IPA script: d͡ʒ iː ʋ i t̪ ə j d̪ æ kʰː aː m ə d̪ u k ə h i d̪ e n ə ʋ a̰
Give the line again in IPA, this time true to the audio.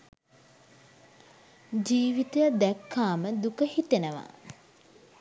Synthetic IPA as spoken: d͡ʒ iː ʋ i t̪ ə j d̪ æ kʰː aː m ə d̪ u k ə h i t̪ e n ə ʋ a̰